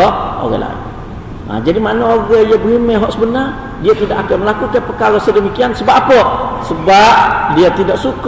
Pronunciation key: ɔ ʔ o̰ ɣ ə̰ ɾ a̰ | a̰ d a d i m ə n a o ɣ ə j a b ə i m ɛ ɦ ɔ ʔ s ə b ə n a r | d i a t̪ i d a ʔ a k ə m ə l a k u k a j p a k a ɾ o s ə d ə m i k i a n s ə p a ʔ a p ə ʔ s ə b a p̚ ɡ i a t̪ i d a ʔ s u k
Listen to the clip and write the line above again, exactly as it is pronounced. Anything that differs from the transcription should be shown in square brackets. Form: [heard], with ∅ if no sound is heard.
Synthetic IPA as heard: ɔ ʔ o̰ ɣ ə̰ [l] a̰ | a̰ [d͡ʒ] a d i m [a] n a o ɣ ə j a b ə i m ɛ ɦ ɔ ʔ s ə b ə n a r | d i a t̪ i d a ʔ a k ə m ə l a k u k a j p [ə] k a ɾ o s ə d ə m i k i a n s ə [b] a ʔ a p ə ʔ s ə b a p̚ [d] i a t̪ i d a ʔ s u k